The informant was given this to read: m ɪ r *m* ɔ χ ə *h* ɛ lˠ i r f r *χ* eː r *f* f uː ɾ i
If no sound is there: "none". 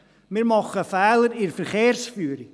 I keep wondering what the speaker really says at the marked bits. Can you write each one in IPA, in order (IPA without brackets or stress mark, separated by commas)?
m, f, χ, s